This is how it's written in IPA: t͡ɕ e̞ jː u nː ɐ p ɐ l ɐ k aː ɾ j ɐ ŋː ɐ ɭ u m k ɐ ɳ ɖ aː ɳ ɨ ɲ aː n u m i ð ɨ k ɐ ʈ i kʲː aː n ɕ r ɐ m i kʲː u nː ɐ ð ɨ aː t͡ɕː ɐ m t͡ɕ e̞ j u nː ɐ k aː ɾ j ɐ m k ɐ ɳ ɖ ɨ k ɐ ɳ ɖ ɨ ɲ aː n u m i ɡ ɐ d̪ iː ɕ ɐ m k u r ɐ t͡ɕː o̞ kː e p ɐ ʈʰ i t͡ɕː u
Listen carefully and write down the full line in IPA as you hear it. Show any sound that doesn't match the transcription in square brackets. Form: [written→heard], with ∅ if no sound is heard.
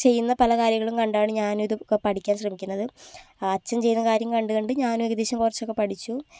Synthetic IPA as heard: t͡ɕ e̞ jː u nː ɐ p ɐ l ɐ k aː ɾ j ɐ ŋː ɐ ɭ u m k ɐ ɳ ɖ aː ɳ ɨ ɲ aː n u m i ð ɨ [k→p] ɐ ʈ i kʲː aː n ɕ r ɐ m i kʲː u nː ɐ ð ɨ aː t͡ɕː ɐ m t͡ɕ e̞ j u nː ɐ k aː ɾ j ɐ m k ɐ ɳ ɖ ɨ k ɐ ɳ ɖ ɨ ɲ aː n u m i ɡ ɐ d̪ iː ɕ ɐ m k u r ɐ t͡ɕː o̞ kː e p ɐ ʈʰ i t͡ɕː u